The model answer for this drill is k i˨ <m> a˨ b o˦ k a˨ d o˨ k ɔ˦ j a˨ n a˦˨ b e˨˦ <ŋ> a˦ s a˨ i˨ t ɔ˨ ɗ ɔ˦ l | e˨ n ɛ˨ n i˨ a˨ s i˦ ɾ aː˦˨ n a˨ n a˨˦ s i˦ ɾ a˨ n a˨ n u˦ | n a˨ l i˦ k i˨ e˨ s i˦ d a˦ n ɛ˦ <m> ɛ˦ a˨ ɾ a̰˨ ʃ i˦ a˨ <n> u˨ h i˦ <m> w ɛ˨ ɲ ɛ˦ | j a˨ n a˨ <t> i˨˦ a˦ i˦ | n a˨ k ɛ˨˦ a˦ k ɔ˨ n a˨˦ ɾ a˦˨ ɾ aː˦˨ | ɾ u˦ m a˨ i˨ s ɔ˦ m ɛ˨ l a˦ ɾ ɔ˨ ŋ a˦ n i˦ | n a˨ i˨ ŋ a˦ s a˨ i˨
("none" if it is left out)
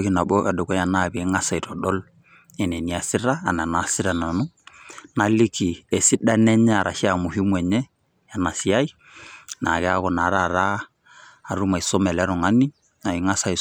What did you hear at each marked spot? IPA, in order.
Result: n, ŋ, ɲ, m, m, s

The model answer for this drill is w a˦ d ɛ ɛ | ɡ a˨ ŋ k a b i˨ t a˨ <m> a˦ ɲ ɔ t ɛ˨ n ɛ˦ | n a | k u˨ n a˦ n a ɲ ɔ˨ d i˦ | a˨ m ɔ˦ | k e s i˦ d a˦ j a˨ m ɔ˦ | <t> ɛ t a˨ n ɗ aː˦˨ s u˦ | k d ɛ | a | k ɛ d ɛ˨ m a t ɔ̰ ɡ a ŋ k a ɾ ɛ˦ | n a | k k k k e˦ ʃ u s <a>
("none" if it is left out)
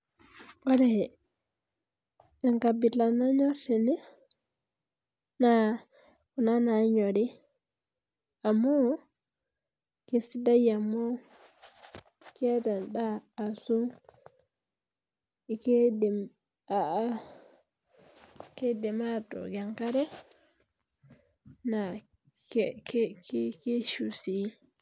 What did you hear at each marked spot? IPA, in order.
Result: n, k, i

